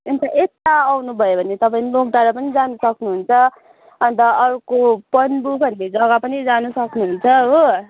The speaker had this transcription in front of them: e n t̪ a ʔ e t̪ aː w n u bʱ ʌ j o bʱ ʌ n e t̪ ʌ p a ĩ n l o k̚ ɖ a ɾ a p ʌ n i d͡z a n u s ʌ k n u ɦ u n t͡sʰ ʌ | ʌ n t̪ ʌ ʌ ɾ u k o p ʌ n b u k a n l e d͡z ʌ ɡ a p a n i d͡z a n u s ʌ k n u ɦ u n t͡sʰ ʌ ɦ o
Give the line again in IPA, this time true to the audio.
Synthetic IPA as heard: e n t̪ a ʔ e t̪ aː w n u bʱ ʌ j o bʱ ʌ n e t̪ ʌ p a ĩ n l o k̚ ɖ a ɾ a p ʌ n i d͡z a n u s ʌ k n u ɦ u n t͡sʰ ʌ | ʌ n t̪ ʌ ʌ ɾ u k o p ʌ n b u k ʌ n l e d͡z ʌ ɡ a p ʌ n i d͡z a n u s ʌ k n u ɦ u n t͡sʰ ʌ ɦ o

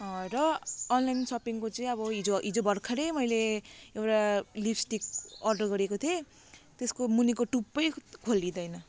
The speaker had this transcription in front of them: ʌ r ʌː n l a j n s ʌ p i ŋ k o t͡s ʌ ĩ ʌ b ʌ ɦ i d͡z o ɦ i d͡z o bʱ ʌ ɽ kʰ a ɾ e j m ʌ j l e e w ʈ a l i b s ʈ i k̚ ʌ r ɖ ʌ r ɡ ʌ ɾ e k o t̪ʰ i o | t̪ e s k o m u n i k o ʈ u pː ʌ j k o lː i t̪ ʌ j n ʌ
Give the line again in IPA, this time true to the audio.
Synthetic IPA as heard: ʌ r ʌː n l a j n s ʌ p i ŋ k o t͡s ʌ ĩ ʌ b ʌ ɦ i d͡z o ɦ i d͡z o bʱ ʌ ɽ kʰ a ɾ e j m ʌ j l e e w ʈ a l i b s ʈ i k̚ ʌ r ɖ ʌ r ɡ ʌ ɾ e k o t̪ʰ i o | t̪ e s k o m u n i k o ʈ u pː ʌ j kʰ o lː i d̪ ʌ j n ʌ

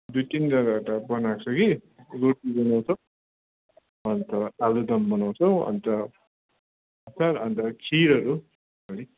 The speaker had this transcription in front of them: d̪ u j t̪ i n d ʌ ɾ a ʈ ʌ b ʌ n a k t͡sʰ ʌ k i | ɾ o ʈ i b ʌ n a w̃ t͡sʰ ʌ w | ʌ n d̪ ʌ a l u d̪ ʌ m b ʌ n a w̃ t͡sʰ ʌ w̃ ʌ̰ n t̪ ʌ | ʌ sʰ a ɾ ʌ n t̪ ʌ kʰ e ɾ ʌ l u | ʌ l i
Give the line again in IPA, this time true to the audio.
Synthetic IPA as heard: d̪ u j t̪ i n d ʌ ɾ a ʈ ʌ b ʌ n a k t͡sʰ ʌ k i | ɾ o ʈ i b ʌ n a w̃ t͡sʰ ʌ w | ʌ n t̪ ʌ a l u d̪ ʌ m b ʌ n a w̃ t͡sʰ ʌ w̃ ʌ̰ n t̪ ʌ | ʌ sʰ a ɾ ʌ n t̪ ʌ kʰ i ɾ ʌ ɾ u | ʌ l i

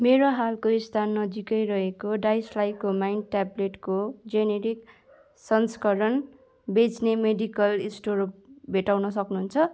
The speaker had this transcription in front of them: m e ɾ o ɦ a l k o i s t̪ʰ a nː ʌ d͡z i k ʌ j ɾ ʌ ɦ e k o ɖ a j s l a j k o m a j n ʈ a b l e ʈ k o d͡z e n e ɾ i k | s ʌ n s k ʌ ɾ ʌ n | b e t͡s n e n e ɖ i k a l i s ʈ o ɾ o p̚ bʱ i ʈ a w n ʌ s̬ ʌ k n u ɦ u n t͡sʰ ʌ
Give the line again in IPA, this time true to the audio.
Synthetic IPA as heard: m e ɾ o ɦ a l k o i s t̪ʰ a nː ʌ d͡z i k ʌ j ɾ ʌ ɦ e k o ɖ a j s l a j k o m a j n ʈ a b l e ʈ k o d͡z e n e ɾ i k | s ʌ n s k ʌ ɾ ʌ n | b e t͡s n e m e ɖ i k ʌ l i s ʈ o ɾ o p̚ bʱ e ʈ a w n ʌ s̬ ʌ k n u ɦ u n t͡sʰ ʌ

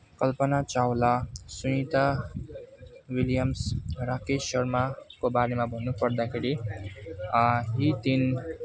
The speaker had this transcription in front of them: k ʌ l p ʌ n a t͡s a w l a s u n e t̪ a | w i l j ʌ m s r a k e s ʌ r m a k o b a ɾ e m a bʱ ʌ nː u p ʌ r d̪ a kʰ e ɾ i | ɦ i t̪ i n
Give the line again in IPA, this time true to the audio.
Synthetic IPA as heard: k ʌ l p ʌ n a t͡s a w l a s u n i t̪ a | w i l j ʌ m s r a k e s ʌ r m a k o b a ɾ e m a bʱ ʌ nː u p ʌ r d̪ a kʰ e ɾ i | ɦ i t̪ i n

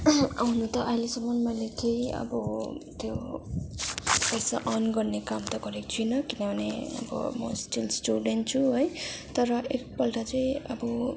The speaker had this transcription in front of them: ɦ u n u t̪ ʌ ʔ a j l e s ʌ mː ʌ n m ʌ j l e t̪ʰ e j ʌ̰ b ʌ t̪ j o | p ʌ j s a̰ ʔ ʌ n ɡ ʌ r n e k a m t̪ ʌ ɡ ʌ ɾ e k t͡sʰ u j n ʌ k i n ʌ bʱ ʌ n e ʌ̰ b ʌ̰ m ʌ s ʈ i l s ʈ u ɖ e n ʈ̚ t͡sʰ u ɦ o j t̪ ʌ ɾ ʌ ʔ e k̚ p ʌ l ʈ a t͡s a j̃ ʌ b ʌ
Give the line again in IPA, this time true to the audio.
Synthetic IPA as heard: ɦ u n u t̪ ʌ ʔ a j l e s ʌ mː ʌ n m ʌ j l e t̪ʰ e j ʌ̰ b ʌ t̪ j o | p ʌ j s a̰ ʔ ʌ n ɡ ʌ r n e k a m t̪ ʌ ɡ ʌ ɾ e k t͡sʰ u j n ʌ k i n ʌ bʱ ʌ n e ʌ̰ b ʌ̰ m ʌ s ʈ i l s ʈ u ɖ e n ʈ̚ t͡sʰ u ɦ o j t̪ ʌ ɾ ʌ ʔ e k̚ p ʌ l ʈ a t͡s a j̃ ʌ b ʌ

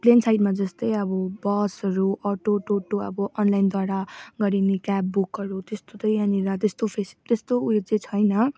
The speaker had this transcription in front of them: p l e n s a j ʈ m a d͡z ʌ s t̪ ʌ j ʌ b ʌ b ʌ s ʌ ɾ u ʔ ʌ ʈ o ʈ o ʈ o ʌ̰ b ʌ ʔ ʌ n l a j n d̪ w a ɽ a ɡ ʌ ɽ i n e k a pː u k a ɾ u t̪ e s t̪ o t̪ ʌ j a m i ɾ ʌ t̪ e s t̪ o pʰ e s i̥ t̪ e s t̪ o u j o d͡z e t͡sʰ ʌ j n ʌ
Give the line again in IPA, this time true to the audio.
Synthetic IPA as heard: p l e n s a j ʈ m a d͡z ʌ s t̪ ʌ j ʌ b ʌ b ʌ s ʌ ɾ u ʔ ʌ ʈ o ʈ o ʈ o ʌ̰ b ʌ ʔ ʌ n l a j n d̪ w a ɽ a ɡ ʌ ɾ i n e k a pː u k ʌ ɾ u t̪ e s t̪ o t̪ ʌ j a n i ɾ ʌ t̪ e s t̪ o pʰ e s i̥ t̪ e s t̪ o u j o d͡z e t͡sʰ ʌ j n ʌ

